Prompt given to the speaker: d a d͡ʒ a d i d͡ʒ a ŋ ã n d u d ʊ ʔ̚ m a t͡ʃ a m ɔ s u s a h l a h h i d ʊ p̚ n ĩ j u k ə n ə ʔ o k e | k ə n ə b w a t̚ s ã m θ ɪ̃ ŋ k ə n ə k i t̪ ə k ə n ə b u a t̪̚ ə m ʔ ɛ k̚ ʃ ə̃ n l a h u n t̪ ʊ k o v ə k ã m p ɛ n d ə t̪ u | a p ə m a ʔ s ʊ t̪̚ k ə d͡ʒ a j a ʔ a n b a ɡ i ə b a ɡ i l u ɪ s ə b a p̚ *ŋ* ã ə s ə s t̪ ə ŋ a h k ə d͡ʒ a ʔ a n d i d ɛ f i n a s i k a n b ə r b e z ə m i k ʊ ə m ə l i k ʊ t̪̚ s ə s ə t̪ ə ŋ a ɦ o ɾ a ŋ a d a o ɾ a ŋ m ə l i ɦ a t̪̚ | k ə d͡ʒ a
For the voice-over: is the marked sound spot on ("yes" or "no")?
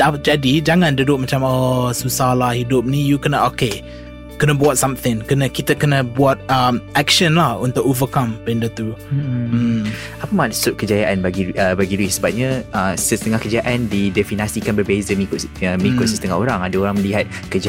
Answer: no